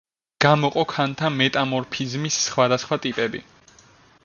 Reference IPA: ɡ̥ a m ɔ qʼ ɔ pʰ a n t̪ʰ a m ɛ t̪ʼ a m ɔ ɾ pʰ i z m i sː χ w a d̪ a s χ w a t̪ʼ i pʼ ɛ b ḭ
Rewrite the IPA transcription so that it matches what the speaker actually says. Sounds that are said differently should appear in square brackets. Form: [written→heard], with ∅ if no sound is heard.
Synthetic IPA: ɡ̥ a m ɔ qʼ ɔ [pʰ→kʰ] a n t̪ʰ a m ɛ t̪ʼ a m ɔ ɾ pʰ i z m i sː χ w a d̪ a s χ w a t̪ʼ i pʼ ɛ b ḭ